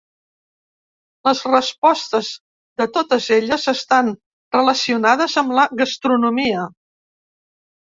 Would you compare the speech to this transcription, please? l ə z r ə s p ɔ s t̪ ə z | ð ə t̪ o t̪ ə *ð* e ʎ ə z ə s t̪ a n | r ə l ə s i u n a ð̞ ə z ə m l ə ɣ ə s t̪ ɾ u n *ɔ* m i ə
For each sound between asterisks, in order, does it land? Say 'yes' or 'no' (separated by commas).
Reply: no, no